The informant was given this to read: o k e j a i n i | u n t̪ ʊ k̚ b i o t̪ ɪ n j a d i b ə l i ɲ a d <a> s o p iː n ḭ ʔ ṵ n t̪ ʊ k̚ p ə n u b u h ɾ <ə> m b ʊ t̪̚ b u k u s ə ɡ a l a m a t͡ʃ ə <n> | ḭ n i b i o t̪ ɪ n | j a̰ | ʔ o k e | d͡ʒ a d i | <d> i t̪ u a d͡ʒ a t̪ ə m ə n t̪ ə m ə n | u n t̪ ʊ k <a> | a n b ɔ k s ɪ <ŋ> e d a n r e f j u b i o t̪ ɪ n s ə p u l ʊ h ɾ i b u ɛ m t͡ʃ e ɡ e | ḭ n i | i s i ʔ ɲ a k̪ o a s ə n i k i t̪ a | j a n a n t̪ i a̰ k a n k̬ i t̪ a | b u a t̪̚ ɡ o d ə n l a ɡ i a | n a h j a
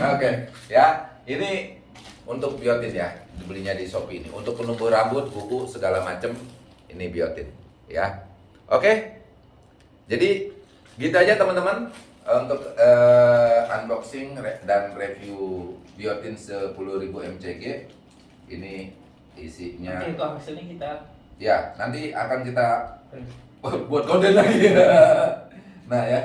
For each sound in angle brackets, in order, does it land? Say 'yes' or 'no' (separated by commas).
no, no, no, no, no, yes